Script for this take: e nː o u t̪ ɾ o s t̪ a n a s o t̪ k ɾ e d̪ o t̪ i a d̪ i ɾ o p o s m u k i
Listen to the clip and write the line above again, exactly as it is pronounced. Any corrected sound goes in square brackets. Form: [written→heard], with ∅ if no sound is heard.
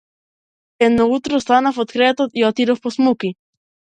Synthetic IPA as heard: e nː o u t̪ ɾ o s t̪ a n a [s→f] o t̪ k ɾ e [d̪→t̪] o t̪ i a [d̪→t̪] i ɾ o p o s m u k i